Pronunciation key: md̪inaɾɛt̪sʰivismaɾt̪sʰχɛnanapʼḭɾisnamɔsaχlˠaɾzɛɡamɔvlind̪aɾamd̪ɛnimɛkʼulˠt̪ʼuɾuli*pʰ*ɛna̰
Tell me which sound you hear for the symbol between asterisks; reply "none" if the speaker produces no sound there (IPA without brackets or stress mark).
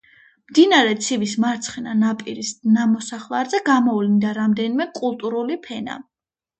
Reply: pʰ